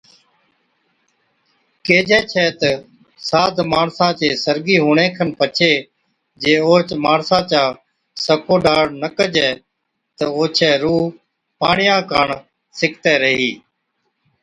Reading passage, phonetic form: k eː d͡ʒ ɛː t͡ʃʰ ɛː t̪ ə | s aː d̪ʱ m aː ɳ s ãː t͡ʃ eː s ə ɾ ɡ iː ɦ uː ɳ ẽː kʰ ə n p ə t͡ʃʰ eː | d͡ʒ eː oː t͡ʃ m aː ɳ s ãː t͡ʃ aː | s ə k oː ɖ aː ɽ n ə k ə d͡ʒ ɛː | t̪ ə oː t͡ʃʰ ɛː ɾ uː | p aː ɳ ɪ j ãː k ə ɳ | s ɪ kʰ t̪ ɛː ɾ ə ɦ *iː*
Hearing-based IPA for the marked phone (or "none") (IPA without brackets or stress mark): iː